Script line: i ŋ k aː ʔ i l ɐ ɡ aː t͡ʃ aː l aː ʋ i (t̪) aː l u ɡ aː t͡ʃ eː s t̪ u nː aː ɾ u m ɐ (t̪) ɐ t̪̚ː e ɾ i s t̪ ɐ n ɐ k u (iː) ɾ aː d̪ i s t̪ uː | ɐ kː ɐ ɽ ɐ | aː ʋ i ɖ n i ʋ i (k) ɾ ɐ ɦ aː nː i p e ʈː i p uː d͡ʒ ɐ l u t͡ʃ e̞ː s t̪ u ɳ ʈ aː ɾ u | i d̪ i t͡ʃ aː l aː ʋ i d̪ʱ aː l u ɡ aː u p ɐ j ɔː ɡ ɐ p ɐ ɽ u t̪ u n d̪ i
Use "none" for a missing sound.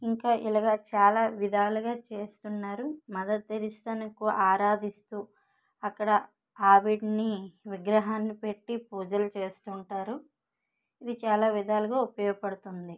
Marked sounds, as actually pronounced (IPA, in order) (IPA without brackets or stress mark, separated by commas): d̪, d̪, aː, ɡ